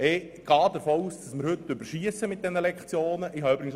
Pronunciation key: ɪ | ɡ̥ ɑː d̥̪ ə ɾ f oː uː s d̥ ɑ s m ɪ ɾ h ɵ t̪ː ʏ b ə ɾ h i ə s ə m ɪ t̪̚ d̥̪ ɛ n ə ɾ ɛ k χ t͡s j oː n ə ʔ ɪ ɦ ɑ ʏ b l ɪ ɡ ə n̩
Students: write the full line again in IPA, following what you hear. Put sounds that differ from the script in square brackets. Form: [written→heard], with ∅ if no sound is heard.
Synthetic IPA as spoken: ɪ | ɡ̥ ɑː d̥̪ ə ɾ f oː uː s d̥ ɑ s m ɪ ɾ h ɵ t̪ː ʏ b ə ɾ [h→ʃ] i ə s ə m ɪ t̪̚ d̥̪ ɛ n ə [ɾ→l] ɛ k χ t͡s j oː n ə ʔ ɪ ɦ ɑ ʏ b [l→ɾ] ɪ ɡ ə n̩